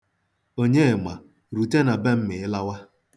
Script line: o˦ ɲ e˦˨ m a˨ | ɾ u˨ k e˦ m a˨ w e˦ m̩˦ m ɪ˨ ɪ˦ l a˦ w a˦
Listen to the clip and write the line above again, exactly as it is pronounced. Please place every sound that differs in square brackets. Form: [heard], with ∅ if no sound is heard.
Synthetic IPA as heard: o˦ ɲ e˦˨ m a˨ | ɾ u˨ [t] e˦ [n] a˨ [b] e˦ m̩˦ m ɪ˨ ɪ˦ l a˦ w a˦